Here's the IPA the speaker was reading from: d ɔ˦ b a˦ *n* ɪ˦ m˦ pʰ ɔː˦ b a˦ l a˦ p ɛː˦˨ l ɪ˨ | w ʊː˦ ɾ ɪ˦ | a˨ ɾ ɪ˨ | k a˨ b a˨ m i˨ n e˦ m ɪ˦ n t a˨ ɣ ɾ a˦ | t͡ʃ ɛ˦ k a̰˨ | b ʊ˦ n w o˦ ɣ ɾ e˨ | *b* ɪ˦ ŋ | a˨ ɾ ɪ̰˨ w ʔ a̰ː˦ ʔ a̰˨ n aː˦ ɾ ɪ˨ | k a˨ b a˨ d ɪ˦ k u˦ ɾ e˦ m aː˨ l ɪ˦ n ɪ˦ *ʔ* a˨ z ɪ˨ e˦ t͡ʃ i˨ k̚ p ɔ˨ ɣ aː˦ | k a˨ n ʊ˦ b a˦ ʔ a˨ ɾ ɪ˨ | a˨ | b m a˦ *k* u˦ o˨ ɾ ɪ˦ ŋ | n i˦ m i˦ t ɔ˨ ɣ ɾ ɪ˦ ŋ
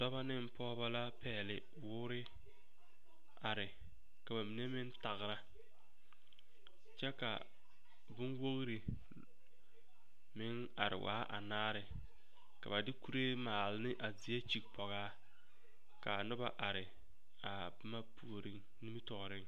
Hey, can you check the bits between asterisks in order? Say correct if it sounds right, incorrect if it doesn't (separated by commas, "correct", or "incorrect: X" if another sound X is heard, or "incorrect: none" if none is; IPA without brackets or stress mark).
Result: correct, incorrect: m, correct, incorrect: p